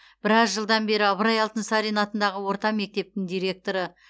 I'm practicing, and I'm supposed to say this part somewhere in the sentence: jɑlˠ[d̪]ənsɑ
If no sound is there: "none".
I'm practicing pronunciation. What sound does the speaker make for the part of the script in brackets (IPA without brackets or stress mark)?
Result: t̪